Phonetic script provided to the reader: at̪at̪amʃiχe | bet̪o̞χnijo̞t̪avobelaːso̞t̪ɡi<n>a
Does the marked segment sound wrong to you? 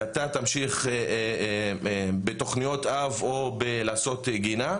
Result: no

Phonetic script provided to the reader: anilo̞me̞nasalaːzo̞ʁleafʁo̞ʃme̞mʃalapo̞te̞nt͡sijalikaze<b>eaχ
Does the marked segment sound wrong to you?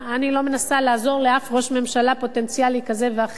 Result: yes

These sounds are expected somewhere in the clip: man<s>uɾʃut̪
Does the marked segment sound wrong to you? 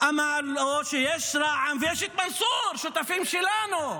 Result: no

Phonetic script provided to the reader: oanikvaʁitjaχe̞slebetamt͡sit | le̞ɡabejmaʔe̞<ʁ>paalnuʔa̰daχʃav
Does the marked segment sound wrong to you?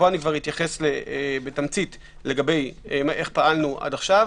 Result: yes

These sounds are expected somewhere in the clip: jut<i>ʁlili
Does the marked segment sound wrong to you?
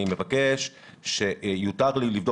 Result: yes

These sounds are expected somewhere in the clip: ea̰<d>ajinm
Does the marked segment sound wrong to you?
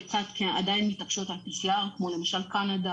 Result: no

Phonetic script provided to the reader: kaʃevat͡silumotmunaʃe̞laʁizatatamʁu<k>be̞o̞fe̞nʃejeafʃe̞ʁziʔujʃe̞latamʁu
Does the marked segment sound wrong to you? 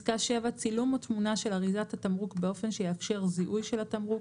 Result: no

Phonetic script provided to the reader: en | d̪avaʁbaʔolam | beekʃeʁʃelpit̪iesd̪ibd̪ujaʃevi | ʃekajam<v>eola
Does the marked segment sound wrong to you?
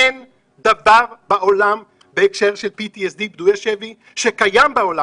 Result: yes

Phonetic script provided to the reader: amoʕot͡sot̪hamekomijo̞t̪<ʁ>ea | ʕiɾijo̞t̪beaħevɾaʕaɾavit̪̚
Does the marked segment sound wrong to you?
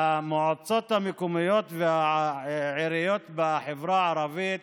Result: yes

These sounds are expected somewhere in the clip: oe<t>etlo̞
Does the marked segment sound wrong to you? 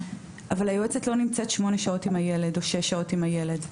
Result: yes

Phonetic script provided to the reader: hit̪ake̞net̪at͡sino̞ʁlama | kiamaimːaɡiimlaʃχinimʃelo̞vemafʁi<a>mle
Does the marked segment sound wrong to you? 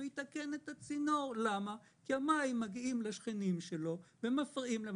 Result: yes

